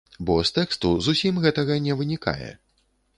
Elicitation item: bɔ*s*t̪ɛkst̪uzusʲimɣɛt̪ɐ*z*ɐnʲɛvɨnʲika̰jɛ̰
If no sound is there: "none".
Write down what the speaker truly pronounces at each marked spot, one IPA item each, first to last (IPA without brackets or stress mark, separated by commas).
s, ɣ